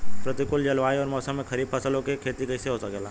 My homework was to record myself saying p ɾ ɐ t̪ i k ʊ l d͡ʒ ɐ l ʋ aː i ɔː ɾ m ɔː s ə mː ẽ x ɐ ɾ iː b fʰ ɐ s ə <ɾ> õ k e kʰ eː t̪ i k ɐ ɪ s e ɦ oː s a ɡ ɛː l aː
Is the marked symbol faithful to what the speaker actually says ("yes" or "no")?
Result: no